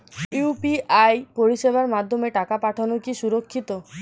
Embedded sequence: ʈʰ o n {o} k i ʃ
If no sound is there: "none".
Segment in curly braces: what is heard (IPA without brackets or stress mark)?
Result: o